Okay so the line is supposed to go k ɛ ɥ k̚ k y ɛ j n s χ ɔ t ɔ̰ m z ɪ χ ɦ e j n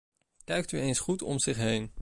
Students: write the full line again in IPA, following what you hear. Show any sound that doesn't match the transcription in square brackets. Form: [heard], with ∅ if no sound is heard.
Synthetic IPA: k ɛ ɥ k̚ [t] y [e] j n s χ [u] t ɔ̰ m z ɪ χ ɦ e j n